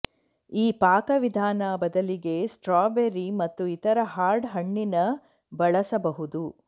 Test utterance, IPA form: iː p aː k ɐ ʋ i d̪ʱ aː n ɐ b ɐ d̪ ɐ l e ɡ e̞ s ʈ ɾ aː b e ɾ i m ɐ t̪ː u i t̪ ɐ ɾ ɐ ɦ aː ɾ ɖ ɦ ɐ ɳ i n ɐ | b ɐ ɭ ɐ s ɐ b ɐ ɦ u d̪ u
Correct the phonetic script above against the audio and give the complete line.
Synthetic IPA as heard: iː p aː k ɐ ʋ i d̪ʱ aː n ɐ b ɐ d̪ ɐ l i ɡ e̞ s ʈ ɾ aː b e ɾ i m ɐ t̪ː u i t̪ ɐ ɾ ɐ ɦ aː ɾ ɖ ɦ ɐ ɳː i n ɐ | b ɐ ɭ ɐ s ɐ b ɐ ɦ u d̪ u